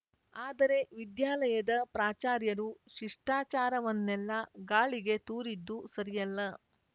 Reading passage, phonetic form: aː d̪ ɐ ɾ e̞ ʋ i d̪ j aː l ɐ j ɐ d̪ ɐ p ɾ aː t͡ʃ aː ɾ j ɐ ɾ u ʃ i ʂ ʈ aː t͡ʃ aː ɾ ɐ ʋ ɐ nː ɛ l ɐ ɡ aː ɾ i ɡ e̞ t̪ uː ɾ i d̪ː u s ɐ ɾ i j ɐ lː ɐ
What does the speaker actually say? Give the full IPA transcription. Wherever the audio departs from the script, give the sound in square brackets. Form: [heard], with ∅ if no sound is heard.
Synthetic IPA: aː d̪ ɐ ɾ e̞ ʋ i d̪ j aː l ɐ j ɐ d̪ ɐ p ɾ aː t͡ʃ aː ɾ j ɐ ɾ u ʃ i ʂ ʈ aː t͡ʃ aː ɾ ɐ ʋ ɐ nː ɛ [lː] ɐ ɡ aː [ɭ] i ɡ e̞ t̪ uː ɾ i d̪ː u s ɐ ɾ i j ɐ lː ɐ